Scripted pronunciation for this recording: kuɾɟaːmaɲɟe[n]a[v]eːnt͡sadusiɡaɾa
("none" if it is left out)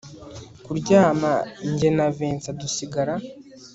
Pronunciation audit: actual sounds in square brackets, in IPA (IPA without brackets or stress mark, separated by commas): n, v